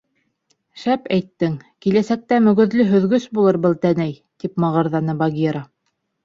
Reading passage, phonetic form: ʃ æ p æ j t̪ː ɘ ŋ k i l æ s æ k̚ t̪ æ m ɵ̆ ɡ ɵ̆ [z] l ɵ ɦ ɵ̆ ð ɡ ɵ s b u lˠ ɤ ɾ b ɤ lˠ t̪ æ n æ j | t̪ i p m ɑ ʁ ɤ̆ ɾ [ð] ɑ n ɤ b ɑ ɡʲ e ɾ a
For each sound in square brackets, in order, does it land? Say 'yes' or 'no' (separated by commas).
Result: no, yes